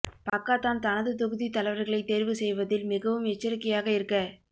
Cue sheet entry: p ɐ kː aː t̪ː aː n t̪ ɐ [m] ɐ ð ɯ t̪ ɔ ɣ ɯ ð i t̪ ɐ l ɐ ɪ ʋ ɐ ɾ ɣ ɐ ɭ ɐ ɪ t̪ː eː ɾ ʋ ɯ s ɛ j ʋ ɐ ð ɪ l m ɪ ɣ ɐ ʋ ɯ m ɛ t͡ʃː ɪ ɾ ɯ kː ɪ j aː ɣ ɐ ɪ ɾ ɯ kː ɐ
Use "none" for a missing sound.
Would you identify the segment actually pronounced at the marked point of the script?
n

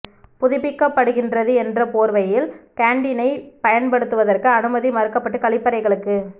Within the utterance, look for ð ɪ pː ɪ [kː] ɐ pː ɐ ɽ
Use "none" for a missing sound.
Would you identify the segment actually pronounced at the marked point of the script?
kː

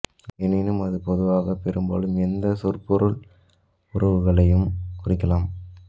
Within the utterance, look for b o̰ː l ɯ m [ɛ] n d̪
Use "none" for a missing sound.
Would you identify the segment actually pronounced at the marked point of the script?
ɛ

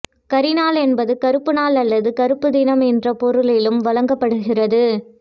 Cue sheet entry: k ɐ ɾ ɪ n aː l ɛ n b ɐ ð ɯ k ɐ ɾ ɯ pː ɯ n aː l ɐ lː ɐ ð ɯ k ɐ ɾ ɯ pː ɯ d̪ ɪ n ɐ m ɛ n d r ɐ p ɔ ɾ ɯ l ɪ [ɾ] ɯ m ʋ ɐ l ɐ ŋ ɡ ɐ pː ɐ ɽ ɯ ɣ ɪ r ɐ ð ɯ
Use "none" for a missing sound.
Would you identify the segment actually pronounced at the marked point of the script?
l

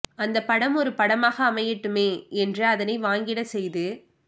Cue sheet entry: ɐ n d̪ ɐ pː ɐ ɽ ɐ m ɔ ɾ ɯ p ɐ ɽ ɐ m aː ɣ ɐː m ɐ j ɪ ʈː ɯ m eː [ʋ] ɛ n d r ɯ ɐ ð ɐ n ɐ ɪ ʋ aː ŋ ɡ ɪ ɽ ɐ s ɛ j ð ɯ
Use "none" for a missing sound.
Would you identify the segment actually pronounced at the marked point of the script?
none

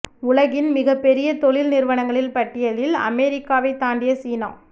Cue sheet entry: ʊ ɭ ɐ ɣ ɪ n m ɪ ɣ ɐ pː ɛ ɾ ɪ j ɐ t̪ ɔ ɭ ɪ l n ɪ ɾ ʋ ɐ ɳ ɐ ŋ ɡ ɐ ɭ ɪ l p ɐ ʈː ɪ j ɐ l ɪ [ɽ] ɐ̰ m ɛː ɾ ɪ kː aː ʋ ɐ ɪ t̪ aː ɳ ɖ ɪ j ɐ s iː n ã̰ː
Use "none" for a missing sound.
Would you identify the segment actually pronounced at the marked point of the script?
l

